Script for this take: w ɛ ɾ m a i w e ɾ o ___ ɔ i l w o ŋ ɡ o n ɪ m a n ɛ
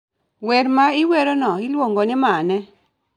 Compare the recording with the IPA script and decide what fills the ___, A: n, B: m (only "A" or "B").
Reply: A